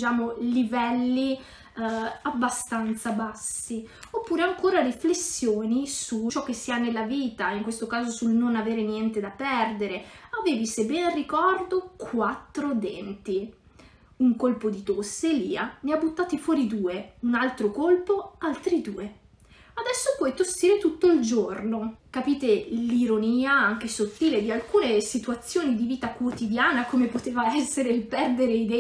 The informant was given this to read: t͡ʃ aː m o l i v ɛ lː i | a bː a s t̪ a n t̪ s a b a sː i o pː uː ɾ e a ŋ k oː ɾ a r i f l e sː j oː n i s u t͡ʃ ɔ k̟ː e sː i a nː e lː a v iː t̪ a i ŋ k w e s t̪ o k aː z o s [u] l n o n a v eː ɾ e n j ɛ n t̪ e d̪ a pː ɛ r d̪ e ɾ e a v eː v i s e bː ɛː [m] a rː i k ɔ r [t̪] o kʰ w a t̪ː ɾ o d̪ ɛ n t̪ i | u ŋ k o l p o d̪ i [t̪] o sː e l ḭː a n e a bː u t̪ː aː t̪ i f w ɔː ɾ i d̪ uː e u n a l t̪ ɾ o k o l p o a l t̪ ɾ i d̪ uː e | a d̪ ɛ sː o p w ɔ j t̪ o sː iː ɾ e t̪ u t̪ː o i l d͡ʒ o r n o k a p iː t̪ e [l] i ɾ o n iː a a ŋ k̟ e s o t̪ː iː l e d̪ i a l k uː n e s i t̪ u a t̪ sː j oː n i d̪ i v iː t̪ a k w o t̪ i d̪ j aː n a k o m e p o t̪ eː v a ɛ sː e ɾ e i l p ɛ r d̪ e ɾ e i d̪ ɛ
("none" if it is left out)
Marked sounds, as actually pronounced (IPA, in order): u, n, d̪, t̪, l

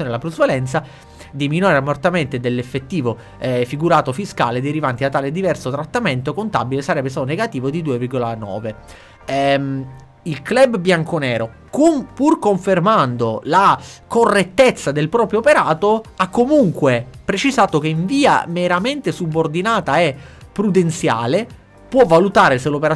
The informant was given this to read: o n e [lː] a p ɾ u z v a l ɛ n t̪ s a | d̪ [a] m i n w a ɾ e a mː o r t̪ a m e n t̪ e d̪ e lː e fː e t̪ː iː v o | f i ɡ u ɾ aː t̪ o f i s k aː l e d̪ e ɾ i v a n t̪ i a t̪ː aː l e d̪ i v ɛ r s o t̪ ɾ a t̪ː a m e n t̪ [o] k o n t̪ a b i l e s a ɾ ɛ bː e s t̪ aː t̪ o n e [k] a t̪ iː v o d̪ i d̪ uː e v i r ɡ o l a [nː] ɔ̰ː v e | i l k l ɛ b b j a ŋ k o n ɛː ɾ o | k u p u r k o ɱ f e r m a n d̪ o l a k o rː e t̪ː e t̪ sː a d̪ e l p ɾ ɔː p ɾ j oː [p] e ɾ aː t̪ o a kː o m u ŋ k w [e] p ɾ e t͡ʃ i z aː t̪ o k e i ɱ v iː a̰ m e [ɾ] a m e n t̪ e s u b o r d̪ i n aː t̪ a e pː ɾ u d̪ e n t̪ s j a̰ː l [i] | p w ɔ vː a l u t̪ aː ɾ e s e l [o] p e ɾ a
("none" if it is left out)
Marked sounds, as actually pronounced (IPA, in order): l, i, o, ɡ, n, p, e, ɾ, e, o

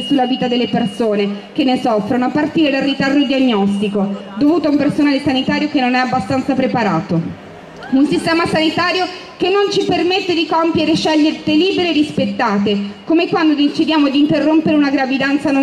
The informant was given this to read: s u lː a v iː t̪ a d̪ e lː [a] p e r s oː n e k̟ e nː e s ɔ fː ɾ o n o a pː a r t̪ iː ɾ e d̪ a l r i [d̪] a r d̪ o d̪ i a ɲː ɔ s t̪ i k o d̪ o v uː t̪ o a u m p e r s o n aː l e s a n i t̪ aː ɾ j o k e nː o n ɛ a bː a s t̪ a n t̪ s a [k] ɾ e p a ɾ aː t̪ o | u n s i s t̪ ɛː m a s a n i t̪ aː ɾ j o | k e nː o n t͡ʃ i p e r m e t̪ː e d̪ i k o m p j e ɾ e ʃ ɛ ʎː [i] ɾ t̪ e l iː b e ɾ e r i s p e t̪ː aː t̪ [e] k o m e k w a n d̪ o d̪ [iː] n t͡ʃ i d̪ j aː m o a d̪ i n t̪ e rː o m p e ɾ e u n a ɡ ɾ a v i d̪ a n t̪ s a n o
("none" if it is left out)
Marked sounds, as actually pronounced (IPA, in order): e, t̪, p, e, e, i

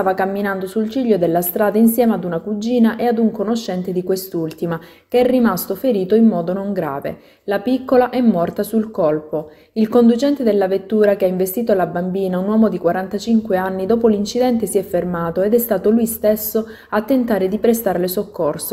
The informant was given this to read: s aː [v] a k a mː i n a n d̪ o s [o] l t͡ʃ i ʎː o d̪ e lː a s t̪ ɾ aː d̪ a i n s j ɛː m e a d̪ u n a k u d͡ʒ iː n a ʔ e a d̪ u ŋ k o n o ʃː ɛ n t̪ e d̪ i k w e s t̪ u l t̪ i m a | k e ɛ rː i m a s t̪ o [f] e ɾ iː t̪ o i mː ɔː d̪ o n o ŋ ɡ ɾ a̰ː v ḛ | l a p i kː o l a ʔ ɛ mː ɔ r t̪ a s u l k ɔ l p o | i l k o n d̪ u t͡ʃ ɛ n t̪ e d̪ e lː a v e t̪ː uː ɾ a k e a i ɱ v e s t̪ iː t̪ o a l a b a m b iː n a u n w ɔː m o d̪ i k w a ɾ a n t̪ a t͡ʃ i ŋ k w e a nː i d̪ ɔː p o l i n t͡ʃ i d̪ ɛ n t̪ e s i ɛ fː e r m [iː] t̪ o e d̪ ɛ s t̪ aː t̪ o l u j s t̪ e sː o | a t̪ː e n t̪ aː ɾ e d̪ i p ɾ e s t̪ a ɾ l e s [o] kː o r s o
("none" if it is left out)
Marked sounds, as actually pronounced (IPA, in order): v, u, f, aː, o

